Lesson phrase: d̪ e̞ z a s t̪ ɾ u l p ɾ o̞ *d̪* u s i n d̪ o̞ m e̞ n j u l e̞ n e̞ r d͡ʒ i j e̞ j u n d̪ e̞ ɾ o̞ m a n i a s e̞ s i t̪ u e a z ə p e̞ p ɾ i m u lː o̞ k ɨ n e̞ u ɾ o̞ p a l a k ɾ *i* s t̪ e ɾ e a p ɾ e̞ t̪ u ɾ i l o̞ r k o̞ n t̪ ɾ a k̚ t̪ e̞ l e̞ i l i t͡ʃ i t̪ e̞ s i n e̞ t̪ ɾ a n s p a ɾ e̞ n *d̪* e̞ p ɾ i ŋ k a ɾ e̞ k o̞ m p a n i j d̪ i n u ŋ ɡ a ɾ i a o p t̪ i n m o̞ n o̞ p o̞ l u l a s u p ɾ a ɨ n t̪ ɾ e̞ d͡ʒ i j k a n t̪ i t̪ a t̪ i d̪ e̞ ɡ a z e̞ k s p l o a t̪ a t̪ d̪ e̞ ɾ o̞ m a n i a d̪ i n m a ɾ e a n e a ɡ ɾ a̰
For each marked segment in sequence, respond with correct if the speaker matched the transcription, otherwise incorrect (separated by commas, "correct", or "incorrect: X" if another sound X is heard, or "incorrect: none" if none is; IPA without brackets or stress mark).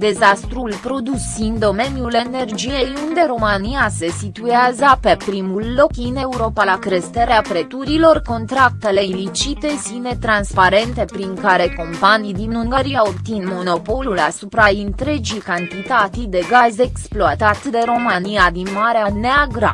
correct, incorrect: e, incorrect: t̪